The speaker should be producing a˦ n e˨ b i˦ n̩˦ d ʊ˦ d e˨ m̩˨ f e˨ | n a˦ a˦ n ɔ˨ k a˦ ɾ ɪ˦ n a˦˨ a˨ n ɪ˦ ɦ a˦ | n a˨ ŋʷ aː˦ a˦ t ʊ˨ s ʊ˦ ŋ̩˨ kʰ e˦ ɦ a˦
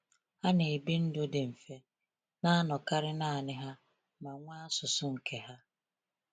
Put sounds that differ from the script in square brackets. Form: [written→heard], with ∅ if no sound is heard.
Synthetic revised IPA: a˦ n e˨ b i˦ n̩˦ d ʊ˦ d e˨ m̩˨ f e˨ | n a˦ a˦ n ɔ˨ k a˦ ɾ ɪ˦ n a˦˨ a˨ n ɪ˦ ɦ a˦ | [n→m] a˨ ŋʷ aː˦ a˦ [t→s] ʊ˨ s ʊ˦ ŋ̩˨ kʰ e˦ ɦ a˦